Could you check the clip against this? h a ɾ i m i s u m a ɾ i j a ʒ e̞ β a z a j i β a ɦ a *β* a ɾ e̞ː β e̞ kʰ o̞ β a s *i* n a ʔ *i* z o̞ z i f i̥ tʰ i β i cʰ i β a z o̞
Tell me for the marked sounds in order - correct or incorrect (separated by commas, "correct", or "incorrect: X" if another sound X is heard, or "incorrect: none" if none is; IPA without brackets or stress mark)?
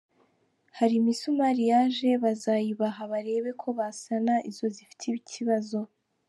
correct, incorrect: a, correct